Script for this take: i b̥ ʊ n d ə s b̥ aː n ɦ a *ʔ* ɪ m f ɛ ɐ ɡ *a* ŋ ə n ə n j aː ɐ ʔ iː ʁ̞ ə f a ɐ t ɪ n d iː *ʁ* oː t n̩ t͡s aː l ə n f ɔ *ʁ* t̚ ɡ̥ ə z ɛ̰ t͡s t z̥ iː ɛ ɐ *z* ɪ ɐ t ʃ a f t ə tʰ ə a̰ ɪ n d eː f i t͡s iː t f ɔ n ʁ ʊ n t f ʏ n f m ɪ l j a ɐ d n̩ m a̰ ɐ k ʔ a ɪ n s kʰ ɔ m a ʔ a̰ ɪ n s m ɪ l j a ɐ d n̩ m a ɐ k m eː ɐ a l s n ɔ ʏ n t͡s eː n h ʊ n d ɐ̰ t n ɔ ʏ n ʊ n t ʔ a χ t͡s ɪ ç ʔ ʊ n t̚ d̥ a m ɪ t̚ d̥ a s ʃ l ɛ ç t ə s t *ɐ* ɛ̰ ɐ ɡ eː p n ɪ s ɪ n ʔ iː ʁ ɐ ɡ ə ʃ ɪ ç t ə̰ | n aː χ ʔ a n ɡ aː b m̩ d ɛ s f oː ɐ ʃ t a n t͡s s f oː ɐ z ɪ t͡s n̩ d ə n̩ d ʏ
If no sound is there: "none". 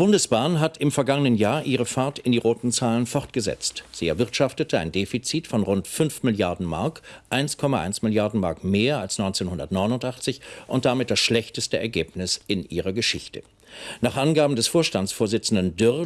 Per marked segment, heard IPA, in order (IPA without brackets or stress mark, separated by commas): t, a, ʁ, ʁ, v, ə